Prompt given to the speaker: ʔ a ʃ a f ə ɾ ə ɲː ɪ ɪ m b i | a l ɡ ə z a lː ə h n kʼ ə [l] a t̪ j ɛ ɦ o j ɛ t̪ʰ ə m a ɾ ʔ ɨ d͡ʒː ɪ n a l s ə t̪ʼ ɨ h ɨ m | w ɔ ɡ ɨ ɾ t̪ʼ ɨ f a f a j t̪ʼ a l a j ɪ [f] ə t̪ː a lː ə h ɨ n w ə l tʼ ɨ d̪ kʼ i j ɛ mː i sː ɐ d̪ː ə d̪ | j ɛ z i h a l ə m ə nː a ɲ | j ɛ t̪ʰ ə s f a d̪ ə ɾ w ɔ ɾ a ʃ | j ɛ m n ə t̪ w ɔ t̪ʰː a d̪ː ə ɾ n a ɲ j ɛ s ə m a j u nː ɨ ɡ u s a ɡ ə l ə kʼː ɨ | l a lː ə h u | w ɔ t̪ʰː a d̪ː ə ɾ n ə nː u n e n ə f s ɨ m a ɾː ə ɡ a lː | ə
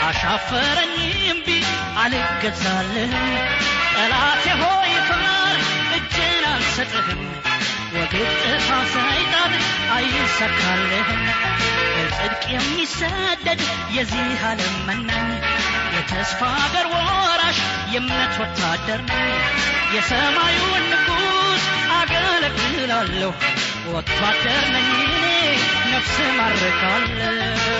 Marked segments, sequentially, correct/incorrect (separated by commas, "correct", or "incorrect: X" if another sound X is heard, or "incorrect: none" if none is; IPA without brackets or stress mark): correct, incorrect: s